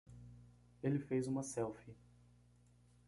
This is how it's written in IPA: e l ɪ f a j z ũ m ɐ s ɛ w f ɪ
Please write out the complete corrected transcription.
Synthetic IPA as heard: e l ɪ f e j z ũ m ɐ s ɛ w f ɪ